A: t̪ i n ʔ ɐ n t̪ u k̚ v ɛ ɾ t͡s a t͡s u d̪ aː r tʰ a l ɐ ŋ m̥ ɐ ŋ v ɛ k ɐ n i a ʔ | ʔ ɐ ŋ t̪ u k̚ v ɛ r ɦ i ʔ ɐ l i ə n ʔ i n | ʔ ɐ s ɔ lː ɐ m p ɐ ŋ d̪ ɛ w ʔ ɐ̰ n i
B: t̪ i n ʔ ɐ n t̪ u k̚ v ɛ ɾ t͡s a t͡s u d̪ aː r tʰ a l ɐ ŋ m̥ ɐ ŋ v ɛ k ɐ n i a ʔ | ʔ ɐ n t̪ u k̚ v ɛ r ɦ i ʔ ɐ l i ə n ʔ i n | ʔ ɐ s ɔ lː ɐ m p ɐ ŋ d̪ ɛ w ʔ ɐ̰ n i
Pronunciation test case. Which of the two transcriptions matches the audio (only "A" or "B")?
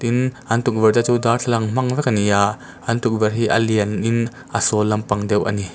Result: B